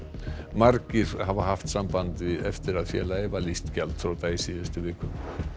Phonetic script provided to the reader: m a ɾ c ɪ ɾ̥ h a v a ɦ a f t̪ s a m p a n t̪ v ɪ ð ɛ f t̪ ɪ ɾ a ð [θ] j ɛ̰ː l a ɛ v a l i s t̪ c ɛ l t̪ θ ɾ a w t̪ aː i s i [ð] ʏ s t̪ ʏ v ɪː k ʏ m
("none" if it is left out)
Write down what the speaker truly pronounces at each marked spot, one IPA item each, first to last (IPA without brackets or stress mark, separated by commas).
f, ð